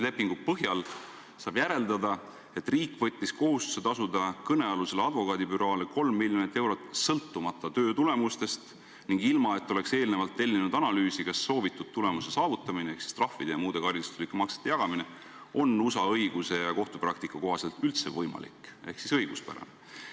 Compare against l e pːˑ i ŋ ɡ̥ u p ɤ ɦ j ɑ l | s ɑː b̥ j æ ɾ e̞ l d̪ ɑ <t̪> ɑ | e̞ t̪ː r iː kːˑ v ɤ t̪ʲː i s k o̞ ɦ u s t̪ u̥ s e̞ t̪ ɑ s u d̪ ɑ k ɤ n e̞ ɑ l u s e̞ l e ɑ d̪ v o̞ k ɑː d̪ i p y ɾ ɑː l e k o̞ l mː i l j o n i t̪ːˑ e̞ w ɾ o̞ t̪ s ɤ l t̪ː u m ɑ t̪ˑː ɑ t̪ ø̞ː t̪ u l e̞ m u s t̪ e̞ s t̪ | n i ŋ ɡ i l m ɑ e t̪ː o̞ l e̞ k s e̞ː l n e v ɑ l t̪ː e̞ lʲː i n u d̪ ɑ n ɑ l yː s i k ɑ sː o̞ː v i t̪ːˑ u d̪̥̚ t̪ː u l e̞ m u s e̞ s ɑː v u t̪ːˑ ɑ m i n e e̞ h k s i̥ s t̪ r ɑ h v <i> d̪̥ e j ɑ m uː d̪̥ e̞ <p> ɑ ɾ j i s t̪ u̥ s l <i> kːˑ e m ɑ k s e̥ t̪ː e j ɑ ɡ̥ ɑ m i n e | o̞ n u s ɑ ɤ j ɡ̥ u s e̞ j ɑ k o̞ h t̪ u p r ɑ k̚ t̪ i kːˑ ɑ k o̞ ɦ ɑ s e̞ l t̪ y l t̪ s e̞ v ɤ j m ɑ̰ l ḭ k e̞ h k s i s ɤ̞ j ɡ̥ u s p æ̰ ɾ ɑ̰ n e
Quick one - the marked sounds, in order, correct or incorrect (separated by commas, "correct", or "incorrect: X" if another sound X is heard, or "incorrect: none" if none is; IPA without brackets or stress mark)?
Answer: incorrect: d̪, correct, incorrect: k, correct